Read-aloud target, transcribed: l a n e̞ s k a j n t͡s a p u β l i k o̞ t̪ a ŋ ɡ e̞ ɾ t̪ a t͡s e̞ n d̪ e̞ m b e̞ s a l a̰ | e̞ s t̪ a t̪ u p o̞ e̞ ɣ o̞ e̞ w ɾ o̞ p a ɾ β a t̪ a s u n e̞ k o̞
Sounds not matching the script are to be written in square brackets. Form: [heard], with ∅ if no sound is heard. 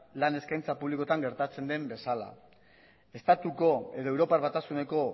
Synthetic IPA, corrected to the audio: l a n e̞ s k a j n t͡s a p u β l i k o̞ t̪ a ŋ ɡ e̞ ɾ t̪ a t͡s e̞ n d̪ e̞ m b e̞ s a l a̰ | e̞ s t̪ a t̪ u [k] o̞ e̞ [ð] o̞ e̞ w ɾ o̞ p a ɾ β a t̪ a s u n e̞ k o̞

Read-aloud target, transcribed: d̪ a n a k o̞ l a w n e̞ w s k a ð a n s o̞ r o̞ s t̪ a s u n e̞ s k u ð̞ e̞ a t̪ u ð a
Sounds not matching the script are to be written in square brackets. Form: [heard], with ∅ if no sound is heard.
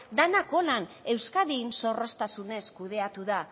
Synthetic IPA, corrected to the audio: d̪ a n a k o̞ l a [∅] n e̞ w s k a ð [i] n s o̞ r o̞ s t̪ a s u n e̞ s k u ð̞ e̞ a t̪ u ð a

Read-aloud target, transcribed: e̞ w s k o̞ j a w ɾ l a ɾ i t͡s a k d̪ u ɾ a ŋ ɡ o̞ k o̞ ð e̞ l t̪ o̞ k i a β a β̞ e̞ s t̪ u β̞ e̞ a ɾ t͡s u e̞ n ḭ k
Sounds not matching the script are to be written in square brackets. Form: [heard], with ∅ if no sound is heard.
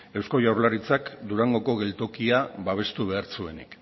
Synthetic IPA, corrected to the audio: e̞ w s k o̞ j a w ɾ l a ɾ i t͡s a k d̪ u ɾ a ŋ ɡ o̞ k o̞ [ɣ] e̞ l t̪ o̞ k i a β a β̞ e̞ s t̪ u β̞ e̞ a ɾ t͡s u e̞ n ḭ k

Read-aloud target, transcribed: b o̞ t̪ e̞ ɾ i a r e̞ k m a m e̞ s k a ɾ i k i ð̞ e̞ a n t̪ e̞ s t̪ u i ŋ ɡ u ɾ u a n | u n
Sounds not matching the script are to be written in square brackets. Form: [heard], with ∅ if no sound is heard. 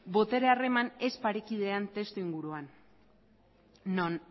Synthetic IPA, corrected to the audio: b o̞ t̪ e̞ ɾ [e] a r e̞ [∅] m a [n] e̞ s [p] a ɾ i k i ð̞ e̞ a n t̪ e̞ s t̪ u i ŋ ɡ u ɾ u a n | [o] n

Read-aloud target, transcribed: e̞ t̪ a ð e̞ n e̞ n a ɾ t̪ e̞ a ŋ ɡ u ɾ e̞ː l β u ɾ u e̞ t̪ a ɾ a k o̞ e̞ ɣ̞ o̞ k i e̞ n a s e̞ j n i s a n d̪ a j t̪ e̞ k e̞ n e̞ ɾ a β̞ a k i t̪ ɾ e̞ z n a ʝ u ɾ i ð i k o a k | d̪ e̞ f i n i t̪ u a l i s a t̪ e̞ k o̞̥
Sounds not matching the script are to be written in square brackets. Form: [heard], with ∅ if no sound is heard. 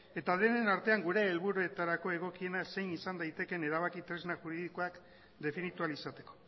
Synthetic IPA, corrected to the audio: e̞ t̪ a ð e̞ n e̞ n a ɾ t̪ e̞ a ŋ ɡ u ɾ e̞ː l β u ɾ u e̞ t̪ a ɾ a k o̞ e̞ ɣ̞ o̞ k i e̞ n a s e̞ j n i s a n d̪ a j t̪ e̞ k e̞ n e̞ ɾ a β̞ a k i t̪ ɾ e̞ z n a ʝ u ɾ i ð i k o a k | d̪ e̞ f i n i t̪ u a l i s a t̪ e̞ k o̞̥

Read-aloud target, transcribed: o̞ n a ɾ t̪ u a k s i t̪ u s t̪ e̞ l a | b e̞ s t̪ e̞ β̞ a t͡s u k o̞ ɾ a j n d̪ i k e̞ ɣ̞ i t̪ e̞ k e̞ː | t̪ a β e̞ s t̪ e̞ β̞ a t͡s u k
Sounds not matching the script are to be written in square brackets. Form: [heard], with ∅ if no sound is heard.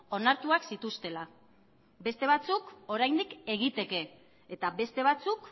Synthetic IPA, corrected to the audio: o̞ n a ɾ t̪ u a k s i t̪ u s t̪ e̞ l a | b e̞ s t̪ e̞ β̞ a t͡s u k o̞ ɾ a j n d̪ i k e̞ ɣ̞ i t̪ e̞ k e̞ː | t̪ a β e̞ s t̪ e̞ β̞ a t͡s u k

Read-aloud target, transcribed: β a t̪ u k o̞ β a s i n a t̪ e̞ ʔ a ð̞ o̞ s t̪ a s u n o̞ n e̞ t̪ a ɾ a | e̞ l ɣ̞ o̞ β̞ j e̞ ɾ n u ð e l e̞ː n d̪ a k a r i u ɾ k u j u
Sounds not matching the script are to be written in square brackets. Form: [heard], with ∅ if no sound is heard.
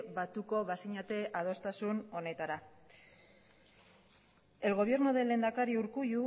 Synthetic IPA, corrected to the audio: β a t̪ u k o̞ β a s i [ɲ] a t̪ e̞ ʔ a ð̞ o̞ s t̪ a s u n o̞ n e̞ t̪ a ɾ a | e̞ l ɣ̞ o̞ β̞ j e̞ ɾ n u ð e l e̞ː n d̪ a k a [ɾ] i u ɾ k u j u

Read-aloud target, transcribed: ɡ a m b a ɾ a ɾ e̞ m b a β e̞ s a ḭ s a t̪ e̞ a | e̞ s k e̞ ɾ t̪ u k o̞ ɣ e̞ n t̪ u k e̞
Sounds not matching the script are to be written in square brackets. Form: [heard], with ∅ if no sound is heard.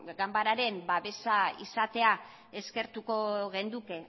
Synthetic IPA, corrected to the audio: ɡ a m b a ɾ a ɾ e̞ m b a β e̞ s a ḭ s a t̪ e̞ a | e̞ s k e̞ ɾ t̪ u k o̞ ɣ e̞ n [d̪] u k e̞

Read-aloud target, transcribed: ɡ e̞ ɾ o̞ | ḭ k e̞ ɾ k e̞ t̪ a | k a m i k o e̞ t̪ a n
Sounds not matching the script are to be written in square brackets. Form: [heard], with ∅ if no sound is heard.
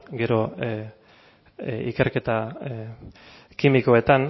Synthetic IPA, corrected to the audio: ɡ e̞ ɾ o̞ | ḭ k e̞ ɾ k e̞ t̪ a | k [i] m i k o e̞ t̪ a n

